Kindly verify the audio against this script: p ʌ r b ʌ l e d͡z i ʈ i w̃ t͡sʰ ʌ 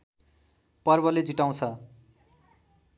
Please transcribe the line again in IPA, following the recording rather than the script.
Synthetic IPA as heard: p ʌ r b ʌ l e d͡z i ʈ a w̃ t͡sʰ ʌ

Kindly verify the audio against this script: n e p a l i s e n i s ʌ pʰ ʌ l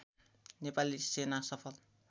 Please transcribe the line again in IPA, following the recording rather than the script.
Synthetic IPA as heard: n e p a l i s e n a s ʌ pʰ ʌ l

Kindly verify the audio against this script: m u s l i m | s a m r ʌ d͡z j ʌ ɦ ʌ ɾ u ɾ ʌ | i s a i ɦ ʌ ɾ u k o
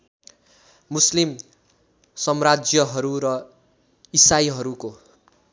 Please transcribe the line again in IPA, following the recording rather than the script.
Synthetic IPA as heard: m u s l i m | s ʌ m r a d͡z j ʌ ɦ ʌ ɾ u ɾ ʌ | i s a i ɦ ʌ ɾ u k o

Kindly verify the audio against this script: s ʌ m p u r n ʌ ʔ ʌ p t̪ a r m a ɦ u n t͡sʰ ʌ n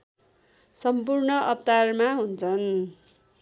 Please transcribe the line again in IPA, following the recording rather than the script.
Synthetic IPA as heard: s ʌ m p u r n ʌ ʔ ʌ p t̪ a r m a ɦ u n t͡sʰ ʌ n

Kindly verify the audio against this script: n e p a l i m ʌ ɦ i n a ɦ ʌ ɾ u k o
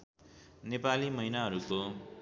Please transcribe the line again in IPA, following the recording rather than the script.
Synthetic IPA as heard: n e p a l i m ʌ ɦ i n a ɦ ʌ ɾ u k o

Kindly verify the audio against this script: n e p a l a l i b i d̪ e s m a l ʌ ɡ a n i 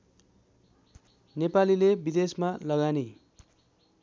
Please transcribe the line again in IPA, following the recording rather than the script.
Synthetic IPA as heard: n e p a l i l e b i d̪ e s m a l ʌ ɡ a n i

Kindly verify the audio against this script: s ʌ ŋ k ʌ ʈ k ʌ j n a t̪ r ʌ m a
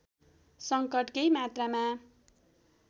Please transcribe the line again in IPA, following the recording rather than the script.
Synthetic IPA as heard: s ʌ ŋ k ʌ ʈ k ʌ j m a t̪ r a m a

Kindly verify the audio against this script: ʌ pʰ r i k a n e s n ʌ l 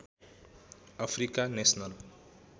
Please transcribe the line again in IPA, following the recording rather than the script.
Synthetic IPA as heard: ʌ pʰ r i k a n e s n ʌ l

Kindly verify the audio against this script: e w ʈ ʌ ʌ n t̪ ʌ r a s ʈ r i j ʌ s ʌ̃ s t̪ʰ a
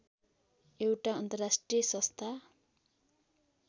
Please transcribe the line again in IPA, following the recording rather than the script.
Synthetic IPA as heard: e w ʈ a ʌ n t̪ ʌ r a s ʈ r i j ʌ s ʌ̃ s t̪ʰ a

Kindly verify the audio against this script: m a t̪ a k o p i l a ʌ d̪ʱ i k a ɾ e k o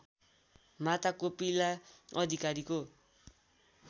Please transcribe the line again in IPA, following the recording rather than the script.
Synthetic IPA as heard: m a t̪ a k o p i l a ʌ d̪ʱ i k a ɾ i k o

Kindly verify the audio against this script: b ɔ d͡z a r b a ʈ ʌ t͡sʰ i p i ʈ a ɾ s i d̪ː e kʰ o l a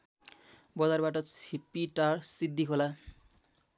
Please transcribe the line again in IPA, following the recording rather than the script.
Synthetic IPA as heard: b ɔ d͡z a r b a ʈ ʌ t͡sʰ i p i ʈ a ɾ s i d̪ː i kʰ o l a

